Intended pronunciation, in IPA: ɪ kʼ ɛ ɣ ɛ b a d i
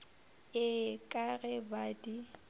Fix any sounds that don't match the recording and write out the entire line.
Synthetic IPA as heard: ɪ kʼ a ɣ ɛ b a d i